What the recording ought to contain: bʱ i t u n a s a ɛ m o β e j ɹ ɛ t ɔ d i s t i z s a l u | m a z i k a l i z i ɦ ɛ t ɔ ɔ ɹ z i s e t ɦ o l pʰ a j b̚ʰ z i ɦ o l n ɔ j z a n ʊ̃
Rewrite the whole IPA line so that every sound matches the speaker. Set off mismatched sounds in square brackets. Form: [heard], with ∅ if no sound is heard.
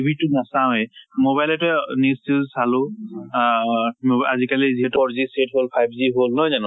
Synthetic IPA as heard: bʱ i t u n a s a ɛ m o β [a] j [l] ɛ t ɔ [n] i s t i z s a l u | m a z i k a l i z i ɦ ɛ t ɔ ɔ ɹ z i s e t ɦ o l pʰ a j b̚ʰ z i ɦ o l n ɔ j z a n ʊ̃